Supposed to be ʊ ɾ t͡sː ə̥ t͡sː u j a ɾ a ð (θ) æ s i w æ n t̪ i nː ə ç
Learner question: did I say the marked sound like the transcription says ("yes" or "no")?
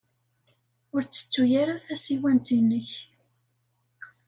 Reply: yes